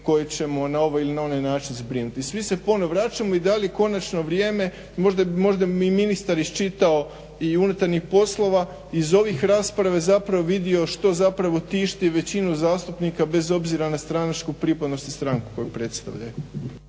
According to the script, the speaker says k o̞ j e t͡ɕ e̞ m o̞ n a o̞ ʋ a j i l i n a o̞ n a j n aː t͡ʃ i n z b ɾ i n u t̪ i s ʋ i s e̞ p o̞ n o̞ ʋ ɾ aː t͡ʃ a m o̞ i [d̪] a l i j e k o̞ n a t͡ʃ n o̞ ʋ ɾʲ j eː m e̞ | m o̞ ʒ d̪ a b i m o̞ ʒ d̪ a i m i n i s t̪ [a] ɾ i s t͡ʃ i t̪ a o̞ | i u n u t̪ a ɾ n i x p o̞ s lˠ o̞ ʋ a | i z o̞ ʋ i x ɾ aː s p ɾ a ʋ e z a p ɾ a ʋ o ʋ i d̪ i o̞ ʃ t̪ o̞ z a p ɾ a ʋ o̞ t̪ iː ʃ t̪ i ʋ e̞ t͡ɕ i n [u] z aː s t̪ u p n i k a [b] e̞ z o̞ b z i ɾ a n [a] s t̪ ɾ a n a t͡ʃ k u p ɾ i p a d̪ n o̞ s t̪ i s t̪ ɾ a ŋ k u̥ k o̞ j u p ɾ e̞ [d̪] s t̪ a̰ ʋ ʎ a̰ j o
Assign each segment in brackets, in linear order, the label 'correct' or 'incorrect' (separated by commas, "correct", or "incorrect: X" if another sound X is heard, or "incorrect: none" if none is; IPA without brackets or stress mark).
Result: correct, correct, correct, correct, correct, incorrect: t̪